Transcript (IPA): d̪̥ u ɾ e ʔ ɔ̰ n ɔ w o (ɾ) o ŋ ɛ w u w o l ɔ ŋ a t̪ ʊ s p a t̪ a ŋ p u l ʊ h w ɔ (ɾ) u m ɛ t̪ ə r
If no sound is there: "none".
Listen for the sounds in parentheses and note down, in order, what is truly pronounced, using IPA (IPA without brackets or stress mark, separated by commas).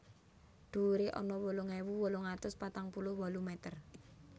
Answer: l, l